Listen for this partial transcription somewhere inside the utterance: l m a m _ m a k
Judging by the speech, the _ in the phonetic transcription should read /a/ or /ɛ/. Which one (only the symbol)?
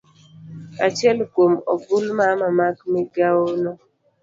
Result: a